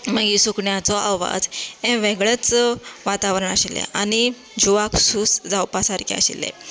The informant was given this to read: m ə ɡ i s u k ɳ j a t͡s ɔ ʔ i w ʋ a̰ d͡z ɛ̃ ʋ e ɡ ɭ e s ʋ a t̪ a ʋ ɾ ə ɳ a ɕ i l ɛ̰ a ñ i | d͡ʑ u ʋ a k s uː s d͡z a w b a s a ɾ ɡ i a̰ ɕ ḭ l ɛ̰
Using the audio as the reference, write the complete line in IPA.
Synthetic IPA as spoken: m ə ɡ i s u k ɳ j a t͡s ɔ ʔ a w ʋ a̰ d͡z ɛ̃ ʋ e ɡ ɭ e t͡s ʋ a t̪ a ʋ ɾ ə ɳ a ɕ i l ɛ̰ a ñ i | d͡ʑ u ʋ a k s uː s d͡z a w p a s a ɾ k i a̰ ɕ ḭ l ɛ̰